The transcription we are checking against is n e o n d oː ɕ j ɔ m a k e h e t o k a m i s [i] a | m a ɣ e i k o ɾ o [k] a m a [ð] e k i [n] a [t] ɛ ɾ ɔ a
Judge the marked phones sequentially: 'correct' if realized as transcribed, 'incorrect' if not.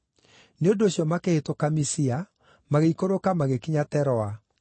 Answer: correct, correct, incorrect: ɣ, incorrect: ɲ, correct

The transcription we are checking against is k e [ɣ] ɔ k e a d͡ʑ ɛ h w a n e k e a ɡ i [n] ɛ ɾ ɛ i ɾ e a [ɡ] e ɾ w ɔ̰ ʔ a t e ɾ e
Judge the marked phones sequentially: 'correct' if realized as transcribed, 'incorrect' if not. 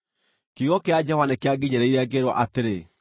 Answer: correct, incorrect: ɲ, correct

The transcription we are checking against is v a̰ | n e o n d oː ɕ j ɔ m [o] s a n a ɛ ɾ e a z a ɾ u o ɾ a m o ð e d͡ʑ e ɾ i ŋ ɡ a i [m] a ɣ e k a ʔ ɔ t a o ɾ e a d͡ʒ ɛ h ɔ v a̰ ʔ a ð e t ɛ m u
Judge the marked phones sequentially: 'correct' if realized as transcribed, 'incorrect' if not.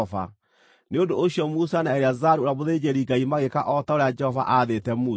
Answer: incorrect: u, correct

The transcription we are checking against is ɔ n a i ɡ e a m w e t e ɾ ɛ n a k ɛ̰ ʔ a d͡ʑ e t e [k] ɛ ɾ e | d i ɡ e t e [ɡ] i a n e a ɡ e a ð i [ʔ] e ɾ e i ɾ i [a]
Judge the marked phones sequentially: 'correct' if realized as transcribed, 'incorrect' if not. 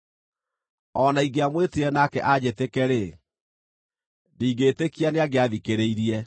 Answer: correct, incorrect: k, incorrect: k, incorrect: ɛ

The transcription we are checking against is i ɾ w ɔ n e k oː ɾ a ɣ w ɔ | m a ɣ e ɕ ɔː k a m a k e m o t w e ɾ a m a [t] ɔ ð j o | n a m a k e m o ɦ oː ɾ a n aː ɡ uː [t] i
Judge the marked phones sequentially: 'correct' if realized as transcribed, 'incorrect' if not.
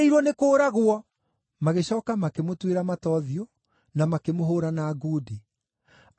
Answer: correct, incorrect: d

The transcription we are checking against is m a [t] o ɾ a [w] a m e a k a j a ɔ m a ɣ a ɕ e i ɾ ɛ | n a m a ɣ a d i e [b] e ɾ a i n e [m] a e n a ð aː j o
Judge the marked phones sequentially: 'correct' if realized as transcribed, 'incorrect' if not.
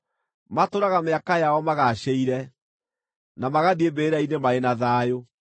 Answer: correct, incorrect: ɣ, correct, correct

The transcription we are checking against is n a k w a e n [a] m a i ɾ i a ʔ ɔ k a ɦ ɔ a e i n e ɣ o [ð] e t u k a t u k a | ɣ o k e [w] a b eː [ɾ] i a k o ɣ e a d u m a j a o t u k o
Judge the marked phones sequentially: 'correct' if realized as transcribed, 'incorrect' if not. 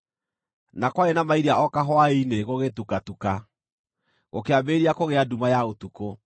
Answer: correct, incorrect: ɣ, incorrect: none, correct

